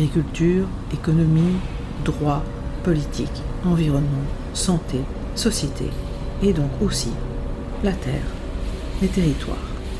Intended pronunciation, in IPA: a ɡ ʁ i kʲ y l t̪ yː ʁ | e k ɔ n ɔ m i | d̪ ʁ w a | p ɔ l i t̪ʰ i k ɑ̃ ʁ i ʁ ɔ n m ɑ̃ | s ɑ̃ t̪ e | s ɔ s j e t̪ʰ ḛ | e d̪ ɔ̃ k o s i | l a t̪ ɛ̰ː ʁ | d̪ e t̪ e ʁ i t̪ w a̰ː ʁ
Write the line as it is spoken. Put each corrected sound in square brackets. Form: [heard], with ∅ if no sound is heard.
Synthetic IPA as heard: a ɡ ʁ i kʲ y l t̪ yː ʁ | e k ɔ n ɔ m i | d̪ ʁ w a | p ɔ l i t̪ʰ i k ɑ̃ [v] i ʁ ɔ n m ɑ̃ | s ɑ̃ t̪ e | s ɔ s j e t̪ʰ ḛ | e d̪ ɔ̃ k o s i | l a t̪ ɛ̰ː ʁ | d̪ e t̪ e ʁ i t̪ w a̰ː ʁ